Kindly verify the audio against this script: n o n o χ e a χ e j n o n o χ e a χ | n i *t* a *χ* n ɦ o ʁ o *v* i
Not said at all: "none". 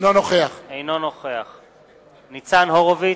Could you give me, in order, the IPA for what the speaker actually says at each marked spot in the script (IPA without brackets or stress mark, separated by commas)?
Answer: t͡s, none, v